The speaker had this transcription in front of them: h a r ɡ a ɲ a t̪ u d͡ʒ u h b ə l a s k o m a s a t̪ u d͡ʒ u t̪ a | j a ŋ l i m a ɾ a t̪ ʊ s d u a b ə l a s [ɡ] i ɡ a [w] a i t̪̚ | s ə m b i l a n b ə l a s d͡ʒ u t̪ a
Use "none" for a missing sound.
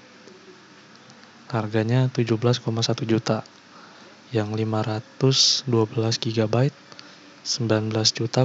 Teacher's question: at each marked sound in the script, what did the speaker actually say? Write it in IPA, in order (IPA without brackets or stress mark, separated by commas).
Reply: ɡ, b